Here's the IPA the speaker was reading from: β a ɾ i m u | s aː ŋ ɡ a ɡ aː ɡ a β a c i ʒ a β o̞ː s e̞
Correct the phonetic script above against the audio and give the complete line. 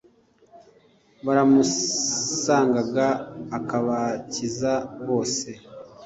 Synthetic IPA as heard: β a ɾ a m u | s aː ŋ ɡ a ɡ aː k a β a c i z a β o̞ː s e̞